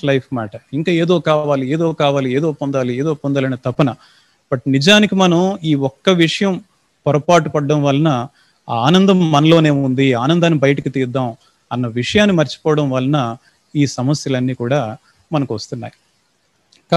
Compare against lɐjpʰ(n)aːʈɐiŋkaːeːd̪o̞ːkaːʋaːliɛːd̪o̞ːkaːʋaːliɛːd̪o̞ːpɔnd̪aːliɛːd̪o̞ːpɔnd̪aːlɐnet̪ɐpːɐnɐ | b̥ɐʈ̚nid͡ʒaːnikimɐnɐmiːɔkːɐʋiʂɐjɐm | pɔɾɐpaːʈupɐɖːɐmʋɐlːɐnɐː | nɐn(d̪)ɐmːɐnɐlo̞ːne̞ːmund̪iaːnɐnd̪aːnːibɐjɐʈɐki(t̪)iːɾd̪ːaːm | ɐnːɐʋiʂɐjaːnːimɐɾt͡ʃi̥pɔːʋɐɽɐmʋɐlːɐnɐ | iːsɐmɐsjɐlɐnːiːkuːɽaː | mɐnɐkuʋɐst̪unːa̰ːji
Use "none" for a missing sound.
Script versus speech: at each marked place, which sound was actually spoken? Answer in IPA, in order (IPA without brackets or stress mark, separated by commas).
m, d̪, t̪